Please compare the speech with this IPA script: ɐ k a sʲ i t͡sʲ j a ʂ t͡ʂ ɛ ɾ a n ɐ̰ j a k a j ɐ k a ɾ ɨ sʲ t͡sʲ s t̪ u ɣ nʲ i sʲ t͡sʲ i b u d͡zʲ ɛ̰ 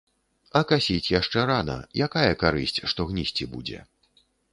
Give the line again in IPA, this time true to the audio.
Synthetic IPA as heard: ɐ k a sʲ i t͡sʲ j a ʂ t͡ʂ ɛ ɾ a n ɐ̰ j a k a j ɐ k a ɾ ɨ sʲ t͡sʲ ʂ t̪ ɔ ɣ nʲ i sʲ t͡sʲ i b u d͡zʲ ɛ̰